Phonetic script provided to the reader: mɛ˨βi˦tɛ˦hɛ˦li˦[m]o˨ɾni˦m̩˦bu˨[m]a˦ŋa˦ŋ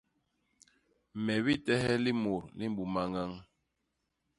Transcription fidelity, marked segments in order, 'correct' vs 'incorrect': correct, correct

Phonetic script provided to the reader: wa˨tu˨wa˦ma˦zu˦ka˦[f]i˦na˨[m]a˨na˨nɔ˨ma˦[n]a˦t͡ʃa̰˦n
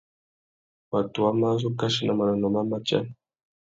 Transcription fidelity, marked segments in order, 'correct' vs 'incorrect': incorrect: ʃ, correct, incorrect: m

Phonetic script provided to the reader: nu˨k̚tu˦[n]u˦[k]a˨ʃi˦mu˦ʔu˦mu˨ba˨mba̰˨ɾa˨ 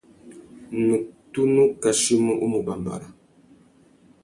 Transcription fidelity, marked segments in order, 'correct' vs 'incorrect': correct, correct

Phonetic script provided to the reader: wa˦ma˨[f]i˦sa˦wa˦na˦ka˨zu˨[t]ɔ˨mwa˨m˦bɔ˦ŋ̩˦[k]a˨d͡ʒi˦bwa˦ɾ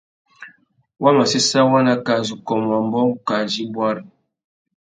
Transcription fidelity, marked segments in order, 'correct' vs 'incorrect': incorrect: s, incorrect: k, correct

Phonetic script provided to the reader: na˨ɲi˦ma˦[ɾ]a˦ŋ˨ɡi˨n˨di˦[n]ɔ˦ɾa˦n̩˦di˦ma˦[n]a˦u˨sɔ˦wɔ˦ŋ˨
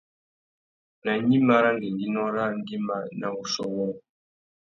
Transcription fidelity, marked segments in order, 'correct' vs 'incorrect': correct, correct, correct

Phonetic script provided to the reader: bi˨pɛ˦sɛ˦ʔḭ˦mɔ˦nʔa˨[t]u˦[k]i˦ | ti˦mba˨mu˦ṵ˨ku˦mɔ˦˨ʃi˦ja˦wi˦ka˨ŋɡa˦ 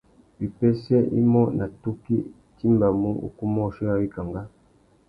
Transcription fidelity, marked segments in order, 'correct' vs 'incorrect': correct, correct

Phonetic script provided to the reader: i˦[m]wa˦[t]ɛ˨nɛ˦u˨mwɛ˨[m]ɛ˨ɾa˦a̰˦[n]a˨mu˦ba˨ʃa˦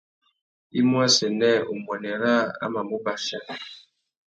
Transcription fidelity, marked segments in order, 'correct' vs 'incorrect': correct, incorrect: s, incorrect: n, incorrect: m

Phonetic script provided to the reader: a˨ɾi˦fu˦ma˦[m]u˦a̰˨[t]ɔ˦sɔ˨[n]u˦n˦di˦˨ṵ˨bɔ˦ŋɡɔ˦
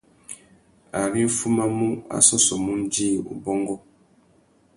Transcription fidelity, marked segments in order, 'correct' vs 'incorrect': correct, incorrect: s, incorrect: m

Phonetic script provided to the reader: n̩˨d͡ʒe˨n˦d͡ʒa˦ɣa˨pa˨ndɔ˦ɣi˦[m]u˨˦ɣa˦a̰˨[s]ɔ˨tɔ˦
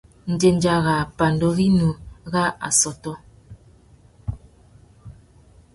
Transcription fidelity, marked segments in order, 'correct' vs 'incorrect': incorrect: n, correct

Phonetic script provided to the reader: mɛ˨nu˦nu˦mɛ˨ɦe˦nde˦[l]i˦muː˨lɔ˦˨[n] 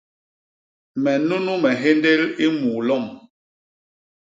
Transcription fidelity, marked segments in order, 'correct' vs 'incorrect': correct, incorrect: m

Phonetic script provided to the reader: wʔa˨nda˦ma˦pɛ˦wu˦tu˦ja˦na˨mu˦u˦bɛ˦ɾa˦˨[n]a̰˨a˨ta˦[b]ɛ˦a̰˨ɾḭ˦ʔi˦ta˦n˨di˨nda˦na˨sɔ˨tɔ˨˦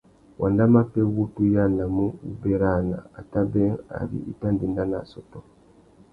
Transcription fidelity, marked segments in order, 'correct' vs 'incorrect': correct, correct

